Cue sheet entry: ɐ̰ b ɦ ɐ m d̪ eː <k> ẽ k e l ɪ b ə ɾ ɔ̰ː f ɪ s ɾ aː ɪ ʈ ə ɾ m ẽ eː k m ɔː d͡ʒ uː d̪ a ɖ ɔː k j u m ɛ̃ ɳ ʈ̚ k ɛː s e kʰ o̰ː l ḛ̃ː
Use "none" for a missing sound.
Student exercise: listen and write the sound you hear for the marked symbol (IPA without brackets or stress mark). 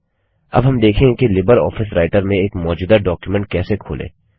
kʰ